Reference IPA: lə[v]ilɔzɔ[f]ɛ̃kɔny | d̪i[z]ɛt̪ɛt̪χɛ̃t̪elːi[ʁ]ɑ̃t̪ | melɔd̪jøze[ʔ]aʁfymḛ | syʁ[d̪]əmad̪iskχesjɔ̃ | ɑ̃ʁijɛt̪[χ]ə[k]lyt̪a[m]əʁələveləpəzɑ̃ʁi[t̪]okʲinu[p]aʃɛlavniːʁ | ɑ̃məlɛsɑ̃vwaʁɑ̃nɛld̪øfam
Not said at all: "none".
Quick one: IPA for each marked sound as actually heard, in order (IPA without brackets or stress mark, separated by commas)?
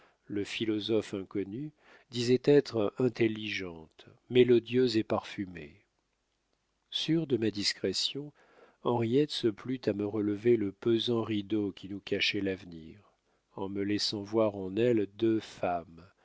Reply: f, f, z, ʒ, p, d̪, s, p, m, d̪, k